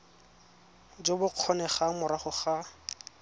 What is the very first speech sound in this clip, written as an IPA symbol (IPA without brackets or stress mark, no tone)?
d͡ʒ